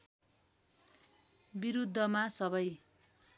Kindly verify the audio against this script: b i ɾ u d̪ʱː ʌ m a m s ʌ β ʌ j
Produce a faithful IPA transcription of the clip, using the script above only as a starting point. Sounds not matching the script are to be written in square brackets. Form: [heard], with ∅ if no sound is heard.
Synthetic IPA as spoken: b i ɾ u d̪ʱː ʌ m a [∅] s ʌ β ʌ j